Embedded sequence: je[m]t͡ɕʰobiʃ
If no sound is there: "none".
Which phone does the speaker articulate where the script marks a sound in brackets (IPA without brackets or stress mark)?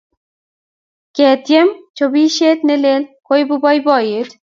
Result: m